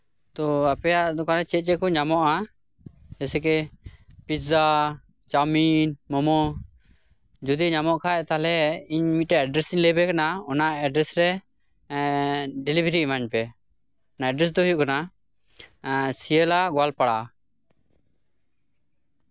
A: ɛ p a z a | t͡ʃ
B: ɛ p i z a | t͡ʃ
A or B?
B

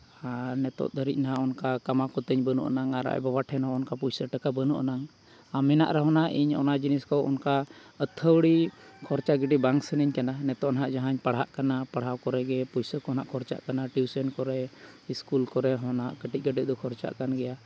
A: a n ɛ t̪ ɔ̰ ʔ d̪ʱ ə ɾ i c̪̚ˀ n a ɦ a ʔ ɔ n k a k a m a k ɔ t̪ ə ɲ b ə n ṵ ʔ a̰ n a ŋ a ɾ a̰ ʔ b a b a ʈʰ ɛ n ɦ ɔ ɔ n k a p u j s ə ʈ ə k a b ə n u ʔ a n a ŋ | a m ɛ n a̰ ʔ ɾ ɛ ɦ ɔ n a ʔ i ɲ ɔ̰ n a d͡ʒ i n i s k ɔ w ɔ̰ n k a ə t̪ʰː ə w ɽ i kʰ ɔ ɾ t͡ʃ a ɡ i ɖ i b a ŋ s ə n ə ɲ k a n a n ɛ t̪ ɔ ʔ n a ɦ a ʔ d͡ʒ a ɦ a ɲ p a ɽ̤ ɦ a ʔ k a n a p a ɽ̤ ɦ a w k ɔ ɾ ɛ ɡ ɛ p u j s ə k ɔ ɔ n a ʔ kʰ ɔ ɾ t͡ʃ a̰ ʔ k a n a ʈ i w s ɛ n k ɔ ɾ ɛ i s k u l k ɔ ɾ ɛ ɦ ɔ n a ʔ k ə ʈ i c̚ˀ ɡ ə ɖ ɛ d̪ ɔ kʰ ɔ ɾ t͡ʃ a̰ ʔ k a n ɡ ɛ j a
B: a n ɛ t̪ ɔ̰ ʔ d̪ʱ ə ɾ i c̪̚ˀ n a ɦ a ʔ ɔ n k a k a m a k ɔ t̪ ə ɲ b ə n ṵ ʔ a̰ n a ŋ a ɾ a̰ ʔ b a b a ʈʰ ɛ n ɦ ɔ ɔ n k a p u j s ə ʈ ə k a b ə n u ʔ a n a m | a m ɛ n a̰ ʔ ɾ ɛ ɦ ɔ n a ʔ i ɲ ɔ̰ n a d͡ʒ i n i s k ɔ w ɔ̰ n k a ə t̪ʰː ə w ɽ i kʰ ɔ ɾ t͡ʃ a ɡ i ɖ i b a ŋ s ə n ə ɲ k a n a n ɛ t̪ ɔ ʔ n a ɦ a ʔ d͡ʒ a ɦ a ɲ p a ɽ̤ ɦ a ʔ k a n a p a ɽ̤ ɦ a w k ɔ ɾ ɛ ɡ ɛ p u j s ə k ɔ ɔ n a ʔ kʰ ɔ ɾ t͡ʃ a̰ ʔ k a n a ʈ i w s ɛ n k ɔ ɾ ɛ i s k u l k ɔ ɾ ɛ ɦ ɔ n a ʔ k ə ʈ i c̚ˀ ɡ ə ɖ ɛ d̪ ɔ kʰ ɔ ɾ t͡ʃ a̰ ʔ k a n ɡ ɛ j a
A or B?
A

